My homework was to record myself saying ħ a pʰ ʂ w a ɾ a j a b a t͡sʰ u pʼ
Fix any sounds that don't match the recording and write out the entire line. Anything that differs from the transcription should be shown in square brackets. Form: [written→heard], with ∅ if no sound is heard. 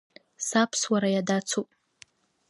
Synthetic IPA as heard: [ħ→s] a pʰ [ʂ→s] w a ɾ a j a [b→d] a t͡sʰ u pʼ